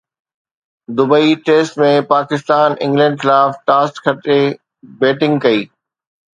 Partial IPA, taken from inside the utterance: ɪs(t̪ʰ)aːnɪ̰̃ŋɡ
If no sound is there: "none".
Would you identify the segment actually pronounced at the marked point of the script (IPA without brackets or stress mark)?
t̪